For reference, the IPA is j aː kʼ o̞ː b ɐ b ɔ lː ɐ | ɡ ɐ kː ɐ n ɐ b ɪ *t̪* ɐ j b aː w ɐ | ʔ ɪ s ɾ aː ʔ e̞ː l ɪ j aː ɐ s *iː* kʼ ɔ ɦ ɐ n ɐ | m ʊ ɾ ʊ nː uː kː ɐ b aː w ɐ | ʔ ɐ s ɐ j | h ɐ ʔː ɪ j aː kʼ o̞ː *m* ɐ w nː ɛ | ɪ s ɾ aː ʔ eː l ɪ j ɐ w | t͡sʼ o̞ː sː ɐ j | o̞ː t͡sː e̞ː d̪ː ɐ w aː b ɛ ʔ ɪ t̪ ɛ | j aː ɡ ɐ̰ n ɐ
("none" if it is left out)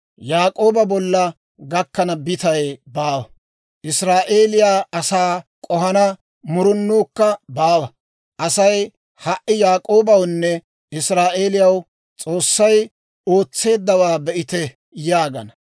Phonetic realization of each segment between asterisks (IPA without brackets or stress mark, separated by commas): t̪, aː, b